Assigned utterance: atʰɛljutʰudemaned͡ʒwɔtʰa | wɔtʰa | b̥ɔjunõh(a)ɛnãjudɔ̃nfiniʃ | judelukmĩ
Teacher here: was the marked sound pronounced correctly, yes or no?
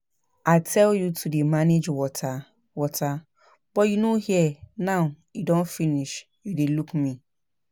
no